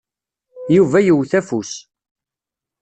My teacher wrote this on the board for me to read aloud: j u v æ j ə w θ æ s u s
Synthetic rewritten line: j u v æ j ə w θ æ f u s